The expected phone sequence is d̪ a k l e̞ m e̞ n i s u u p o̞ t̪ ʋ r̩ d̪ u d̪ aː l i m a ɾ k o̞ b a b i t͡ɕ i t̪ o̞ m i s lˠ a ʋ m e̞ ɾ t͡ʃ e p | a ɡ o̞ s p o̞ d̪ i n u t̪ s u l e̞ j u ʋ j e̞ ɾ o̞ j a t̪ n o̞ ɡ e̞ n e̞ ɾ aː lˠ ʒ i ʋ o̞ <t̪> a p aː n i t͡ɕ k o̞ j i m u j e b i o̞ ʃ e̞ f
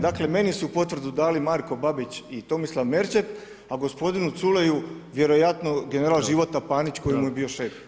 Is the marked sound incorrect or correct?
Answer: correct